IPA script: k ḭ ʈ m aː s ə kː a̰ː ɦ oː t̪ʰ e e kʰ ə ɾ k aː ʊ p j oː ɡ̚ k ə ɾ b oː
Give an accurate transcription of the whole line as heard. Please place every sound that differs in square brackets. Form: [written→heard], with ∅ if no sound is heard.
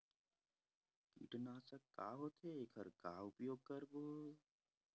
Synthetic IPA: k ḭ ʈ [m→n] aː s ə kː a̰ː ɦ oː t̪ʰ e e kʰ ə ɾ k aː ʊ p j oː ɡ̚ k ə ɾ b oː

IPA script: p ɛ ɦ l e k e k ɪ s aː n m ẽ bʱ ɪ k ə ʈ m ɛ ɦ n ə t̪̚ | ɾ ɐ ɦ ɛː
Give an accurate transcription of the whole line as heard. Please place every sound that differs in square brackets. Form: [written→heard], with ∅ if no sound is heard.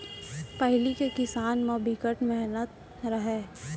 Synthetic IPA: p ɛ ɦ l [e→i] k e k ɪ s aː n m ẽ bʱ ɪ k ə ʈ m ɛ ɦ n ə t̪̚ | ɾ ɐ ɦ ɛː

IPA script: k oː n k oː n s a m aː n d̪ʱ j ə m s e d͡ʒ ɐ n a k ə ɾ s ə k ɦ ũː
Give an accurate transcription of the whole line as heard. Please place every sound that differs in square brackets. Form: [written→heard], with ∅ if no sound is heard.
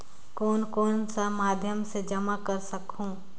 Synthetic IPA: k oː n k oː n s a m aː [n→∅] d̪ʱ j ə m s e d͡ʒ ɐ [n→m] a k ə ɾ s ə k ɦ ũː

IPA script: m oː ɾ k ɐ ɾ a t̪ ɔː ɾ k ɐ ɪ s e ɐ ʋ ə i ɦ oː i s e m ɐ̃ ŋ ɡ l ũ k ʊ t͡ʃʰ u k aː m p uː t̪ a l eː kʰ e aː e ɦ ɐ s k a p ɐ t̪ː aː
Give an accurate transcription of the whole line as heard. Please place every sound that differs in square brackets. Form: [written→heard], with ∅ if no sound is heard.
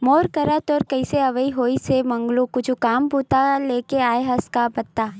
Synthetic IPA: m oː ɾ k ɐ ɾ a t̪ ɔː ɾ k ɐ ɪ s e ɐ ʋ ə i ɦ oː i s e m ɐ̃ ŋ ɡ l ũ k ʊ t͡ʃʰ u k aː m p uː t̪ a l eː [kʰ→k] e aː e ɦ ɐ s k a [p→b] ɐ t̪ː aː

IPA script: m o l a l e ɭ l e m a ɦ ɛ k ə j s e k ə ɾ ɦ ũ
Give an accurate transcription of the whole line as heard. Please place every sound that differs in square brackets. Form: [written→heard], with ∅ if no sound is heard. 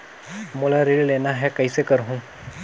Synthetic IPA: m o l a [l→ɾ] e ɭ l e [m→n] a ɦ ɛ k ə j s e k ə ɾ ɦ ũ

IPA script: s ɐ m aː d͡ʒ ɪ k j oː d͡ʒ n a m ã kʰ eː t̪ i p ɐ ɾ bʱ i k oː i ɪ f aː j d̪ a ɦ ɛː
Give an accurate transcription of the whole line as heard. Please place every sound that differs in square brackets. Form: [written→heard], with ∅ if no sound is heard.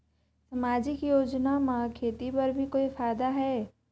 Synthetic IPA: s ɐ m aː d͡ʒ ɪ k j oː d͡ʒ n a m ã kʰ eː t̪ i p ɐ ɾ bʱ i k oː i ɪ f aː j d̪ a ɦ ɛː

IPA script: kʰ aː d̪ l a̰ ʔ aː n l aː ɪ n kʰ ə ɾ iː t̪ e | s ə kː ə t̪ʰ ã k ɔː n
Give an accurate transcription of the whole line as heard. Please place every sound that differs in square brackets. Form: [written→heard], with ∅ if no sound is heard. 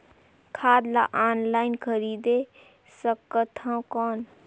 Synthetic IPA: kʰ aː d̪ l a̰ ʔ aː n l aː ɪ n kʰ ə ɾ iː [t̪→d̪] e | s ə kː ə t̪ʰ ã k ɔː n

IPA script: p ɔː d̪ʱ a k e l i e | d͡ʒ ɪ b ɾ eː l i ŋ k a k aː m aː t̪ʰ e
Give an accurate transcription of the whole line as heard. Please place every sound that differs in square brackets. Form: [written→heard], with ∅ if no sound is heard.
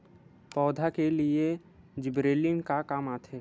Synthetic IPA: p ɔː d̪ʱ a k e l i e | d͡ʒ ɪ b ɾ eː l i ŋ k a k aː m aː t̪ʰ e

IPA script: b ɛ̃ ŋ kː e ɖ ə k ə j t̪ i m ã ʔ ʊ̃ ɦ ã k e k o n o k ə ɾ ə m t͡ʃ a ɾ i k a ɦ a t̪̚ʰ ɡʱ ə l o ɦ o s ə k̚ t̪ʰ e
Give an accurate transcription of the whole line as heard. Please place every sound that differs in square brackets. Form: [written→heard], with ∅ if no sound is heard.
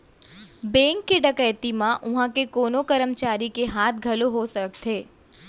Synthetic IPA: b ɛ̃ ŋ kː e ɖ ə k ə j t̪ i m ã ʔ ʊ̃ ɦ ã k e k o n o k ə ɾ ə m t͡ʃ a ɾ i k [a→e] ɦ a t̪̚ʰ ɡʱ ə l o ɦ o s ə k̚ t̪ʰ e

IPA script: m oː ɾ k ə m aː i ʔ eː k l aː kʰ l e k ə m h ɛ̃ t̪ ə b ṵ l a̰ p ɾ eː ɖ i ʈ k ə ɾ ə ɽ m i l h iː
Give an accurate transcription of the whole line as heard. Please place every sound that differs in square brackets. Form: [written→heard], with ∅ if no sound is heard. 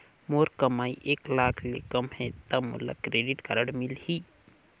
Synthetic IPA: m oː ɾ k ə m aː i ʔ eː k l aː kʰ l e k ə m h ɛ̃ t̪ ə [b→m] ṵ l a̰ [p→k] ɾ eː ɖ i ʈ k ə ɾ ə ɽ m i l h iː

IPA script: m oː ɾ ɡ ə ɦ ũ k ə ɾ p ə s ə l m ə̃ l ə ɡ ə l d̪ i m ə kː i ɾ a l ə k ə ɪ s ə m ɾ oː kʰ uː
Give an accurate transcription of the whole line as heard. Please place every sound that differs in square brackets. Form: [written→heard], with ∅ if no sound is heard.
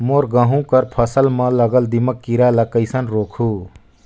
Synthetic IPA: m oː ɾ ɡ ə ɦ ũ k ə ɾ [p→pʰ] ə s ə l m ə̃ l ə ɡ ə l d̪ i m ə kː i ɾ a l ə k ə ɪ s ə [m→n] ɾ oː kʰ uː

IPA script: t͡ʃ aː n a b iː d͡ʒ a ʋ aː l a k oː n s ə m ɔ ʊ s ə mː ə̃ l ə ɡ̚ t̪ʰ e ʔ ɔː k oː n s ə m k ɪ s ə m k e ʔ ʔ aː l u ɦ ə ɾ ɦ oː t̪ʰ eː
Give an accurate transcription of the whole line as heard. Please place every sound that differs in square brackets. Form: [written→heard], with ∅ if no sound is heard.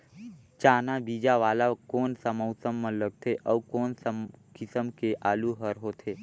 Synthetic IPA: t͡ʃ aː n a b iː d͡ʒ a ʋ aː l a k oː n s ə m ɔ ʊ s ə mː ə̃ l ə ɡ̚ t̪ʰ e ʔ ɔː k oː n s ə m k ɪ s ə m k e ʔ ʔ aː l u ɦ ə ɾ ɦ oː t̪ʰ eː

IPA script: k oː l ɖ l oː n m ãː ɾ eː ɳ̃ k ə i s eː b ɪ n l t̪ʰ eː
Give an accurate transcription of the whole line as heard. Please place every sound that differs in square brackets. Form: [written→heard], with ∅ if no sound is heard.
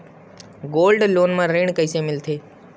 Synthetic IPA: [k→ɡ] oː l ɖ l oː n m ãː ɾ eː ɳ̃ k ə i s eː [b→m] ɪ [n→∅] l t̪ʰ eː

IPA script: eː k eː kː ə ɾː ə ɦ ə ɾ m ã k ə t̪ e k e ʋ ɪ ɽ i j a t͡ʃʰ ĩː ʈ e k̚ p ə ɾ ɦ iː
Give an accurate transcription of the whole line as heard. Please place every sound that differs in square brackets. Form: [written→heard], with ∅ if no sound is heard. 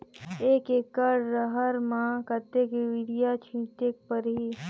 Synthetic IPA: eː k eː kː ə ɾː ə ɦ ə ɾ m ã k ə t̪ e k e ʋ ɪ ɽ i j a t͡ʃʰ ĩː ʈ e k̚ p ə ɾ ɦ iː

